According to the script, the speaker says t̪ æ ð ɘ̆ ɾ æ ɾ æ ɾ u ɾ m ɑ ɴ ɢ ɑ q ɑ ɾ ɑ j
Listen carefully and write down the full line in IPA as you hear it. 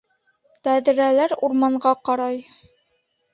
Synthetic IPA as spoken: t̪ æ ð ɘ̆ ɾ æ l æ ɾ u ɾ m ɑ ɴ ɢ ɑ q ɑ ɾ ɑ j